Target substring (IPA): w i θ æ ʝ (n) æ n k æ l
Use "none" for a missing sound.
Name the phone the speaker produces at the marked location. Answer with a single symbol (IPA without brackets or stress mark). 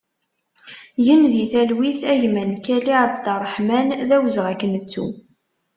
m